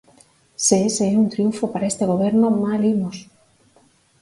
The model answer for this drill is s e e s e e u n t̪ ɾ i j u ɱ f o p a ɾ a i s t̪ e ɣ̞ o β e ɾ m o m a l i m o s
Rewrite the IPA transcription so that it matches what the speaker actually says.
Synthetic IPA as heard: s e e s e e u n t̪ ɾ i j u ɱ f o p a ɾ a e s t̪ e ɣ̞ o β e ɾ n o m a l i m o s